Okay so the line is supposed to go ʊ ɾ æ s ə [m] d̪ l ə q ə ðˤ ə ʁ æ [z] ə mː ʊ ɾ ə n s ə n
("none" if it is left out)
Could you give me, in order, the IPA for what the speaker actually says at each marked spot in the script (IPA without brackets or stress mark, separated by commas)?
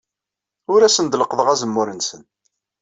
n, z